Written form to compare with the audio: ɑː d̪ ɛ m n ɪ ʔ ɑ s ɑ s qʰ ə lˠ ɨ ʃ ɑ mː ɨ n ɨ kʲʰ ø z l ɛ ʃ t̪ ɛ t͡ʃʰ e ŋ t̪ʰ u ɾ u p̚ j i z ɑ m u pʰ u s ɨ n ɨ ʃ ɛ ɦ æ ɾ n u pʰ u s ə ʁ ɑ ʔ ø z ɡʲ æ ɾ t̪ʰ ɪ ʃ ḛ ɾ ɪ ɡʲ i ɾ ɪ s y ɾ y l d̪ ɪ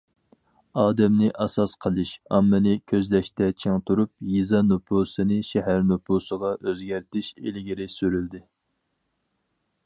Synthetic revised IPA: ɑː d̪ ɛ m n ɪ ʔ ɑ s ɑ s qʰ ə lˠ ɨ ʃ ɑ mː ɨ n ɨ kʲʰ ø z l ɛ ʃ t̪ ɛ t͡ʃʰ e ŋ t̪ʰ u ɾ u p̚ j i z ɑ n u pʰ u s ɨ n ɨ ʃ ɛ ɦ æ ɾ n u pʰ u s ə ʁ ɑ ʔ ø z ɡʲ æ ɾ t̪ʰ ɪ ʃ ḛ l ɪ ɡʲ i ɾ ɪ s y ɾ y l d̪ ɪ